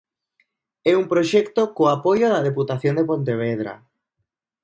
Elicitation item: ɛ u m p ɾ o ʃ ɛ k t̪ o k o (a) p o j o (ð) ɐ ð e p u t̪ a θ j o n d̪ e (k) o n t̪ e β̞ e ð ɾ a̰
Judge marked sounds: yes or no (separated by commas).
yes, yes, no